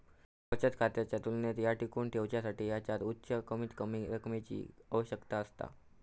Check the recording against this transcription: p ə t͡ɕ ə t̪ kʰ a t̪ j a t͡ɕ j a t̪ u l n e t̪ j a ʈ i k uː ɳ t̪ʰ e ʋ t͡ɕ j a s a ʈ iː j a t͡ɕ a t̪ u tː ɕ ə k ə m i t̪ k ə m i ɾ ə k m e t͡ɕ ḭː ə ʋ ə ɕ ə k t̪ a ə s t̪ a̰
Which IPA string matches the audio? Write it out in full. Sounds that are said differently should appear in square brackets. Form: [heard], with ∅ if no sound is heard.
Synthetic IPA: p ə t͡ɕ ə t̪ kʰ a t̪ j a t͡ɕ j a t̪ u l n e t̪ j a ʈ i k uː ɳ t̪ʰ e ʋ t͡ɕ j a s a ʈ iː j a t͡ɕ a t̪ u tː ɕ ə k ə m i t̪ k ə m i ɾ ə k m e t͡ɕ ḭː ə ʋ ə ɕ ə k t̪ a ə s t̪ a̰